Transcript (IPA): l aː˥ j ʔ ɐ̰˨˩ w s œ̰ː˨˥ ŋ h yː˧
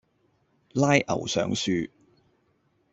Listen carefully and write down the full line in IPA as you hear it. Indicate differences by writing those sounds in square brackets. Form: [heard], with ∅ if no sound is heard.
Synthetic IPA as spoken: l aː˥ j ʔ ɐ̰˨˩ w s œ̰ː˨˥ ŋ [s] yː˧